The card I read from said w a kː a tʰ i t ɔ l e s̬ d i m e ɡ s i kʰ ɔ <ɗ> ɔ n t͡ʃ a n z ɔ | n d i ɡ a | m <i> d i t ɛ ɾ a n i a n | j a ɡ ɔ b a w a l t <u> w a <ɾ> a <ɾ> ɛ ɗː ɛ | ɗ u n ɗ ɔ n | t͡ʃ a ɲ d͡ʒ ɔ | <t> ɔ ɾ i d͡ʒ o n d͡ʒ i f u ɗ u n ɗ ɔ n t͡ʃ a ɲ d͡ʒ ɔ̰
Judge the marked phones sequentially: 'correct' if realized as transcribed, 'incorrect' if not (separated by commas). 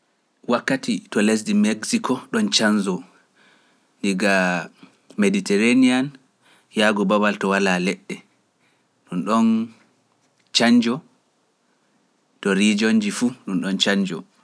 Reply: correct, incorrect, incorrect, incorrect, incorrect, correct